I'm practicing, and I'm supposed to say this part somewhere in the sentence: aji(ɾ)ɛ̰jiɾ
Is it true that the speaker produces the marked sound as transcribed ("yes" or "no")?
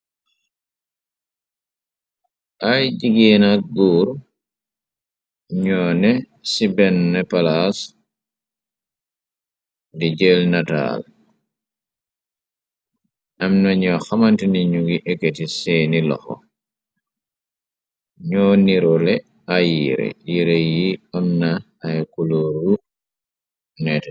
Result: yes